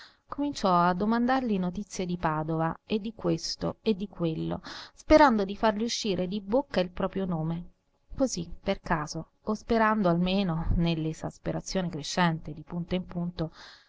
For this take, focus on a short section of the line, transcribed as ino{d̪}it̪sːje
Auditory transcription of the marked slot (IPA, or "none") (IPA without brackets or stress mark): t̪